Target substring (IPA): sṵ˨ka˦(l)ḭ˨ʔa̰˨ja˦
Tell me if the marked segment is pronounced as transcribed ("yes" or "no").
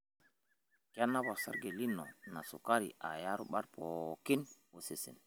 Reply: no